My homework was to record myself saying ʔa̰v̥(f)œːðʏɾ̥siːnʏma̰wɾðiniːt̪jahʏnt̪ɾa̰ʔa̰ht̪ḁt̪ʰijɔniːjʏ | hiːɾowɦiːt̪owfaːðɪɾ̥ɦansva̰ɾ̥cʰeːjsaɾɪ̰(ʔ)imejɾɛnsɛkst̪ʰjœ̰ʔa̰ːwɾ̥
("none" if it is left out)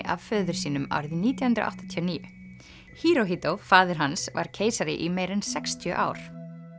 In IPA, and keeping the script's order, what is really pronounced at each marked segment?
f, ʔ

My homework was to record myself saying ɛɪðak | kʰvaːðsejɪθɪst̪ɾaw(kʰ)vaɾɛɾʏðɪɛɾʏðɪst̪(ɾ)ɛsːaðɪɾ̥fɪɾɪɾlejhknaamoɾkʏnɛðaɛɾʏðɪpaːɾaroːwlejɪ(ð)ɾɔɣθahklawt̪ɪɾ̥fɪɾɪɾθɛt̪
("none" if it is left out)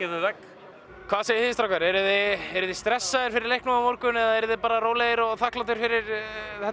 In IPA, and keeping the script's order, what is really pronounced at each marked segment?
k, ɾ, none

